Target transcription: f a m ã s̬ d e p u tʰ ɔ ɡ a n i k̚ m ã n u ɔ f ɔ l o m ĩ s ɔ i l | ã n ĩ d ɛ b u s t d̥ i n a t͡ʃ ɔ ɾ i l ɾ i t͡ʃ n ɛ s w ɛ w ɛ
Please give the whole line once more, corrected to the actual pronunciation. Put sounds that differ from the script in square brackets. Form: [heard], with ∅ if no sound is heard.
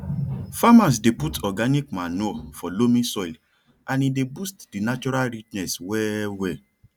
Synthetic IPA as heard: f a m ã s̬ d e p u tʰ ɔ ɡ a n i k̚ m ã n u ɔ f ɔ l o m ĩ s ɔ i l | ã n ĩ d [e] b u s t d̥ i n a t͡ʃ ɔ ɾ [a] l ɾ i t͡ʃ n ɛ s w ɛ w ɛ